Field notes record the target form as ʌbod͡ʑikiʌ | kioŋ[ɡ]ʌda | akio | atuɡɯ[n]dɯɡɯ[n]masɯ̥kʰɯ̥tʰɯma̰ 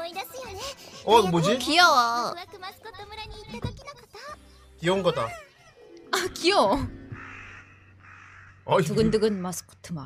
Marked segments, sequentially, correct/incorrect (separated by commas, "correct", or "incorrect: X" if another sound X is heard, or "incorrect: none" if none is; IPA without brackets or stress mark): correct, correct, correct